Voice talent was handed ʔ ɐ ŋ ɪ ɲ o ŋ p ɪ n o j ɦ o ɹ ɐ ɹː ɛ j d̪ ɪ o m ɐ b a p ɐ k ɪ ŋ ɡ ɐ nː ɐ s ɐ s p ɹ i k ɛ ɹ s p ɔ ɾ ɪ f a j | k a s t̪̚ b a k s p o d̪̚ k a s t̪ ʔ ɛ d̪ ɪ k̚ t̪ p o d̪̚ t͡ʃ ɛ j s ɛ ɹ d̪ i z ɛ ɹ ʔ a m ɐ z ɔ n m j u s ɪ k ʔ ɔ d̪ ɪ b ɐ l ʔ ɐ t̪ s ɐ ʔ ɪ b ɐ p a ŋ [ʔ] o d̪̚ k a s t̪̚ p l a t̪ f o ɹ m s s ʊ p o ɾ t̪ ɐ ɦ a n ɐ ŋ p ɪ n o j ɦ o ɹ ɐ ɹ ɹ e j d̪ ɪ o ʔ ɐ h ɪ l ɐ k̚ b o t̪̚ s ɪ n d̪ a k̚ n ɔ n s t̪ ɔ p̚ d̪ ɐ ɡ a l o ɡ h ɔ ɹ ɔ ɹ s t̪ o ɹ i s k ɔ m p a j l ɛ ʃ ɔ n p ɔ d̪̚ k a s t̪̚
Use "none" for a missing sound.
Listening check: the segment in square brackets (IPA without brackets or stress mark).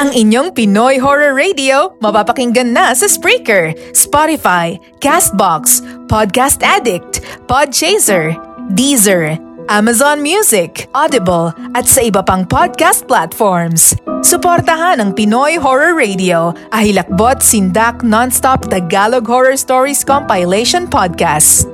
p